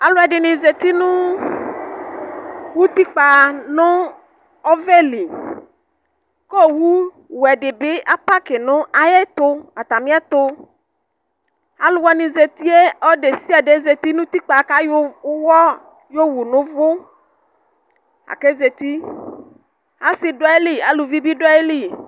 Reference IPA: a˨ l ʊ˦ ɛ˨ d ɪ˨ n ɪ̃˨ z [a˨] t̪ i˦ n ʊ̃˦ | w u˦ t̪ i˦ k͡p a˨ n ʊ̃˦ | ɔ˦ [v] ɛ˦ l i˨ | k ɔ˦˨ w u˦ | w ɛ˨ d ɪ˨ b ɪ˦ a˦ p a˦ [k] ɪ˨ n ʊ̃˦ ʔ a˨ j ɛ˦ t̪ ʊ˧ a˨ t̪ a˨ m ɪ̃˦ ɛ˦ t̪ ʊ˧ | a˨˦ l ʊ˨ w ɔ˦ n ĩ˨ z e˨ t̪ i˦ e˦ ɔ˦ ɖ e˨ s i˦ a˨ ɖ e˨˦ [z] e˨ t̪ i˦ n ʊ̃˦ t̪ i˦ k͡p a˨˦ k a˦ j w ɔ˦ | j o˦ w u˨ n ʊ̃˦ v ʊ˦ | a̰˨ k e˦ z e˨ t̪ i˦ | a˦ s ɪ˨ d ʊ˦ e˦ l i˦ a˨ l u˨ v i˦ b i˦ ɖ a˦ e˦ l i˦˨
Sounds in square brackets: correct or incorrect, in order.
incorrect: e˨, correct, correct, correct

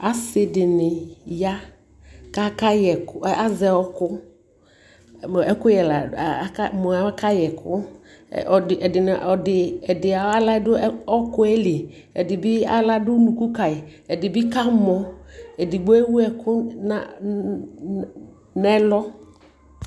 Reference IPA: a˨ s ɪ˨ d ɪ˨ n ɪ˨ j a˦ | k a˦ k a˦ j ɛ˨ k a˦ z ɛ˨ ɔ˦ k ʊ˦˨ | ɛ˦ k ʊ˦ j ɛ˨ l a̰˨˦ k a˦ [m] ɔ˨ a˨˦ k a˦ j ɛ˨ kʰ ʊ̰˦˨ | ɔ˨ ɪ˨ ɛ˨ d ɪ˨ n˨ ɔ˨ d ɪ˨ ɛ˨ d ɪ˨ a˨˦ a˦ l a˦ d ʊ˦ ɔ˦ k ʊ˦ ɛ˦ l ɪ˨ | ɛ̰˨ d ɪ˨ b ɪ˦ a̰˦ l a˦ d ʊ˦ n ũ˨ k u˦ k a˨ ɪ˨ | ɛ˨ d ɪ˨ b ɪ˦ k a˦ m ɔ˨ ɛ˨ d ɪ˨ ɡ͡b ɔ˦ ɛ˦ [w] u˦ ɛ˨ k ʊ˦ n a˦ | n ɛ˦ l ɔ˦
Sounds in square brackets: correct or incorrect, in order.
correct, correct

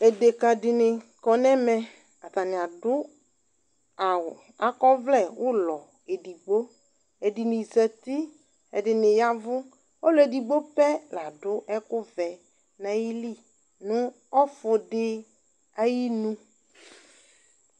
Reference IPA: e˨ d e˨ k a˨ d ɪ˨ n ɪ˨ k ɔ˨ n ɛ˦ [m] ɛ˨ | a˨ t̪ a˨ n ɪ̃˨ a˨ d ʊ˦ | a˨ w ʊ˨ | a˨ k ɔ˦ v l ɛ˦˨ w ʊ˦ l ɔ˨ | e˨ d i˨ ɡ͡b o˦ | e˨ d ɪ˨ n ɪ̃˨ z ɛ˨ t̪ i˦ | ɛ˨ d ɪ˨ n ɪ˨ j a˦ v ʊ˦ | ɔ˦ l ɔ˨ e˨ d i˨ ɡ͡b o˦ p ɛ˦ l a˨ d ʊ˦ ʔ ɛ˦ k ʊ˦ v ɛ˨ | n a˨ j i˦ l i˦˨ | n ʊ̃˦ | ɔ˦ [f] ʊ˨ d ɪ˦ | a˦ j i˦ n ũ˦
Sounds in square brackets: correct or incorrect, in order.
correct, correct

